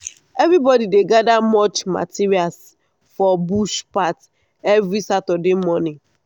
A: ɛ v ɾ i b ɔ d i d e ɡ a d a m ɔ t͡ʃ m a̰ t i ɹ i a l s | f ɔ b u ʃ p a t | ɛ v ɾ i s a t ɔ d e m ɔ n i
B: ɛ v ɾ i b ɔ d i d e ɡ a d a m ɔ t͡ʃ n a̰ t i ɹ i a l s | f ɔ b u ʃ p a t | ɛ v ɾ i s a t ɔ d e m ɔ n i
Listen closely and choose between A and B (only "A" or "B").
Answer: A